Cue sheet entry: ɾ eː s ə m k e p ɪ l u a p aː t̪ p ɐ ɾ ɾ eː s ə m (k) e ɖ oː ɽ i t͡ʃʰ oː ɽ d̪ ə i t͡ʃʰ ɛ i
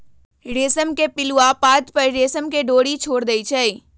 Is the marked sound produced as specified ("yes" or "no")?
yes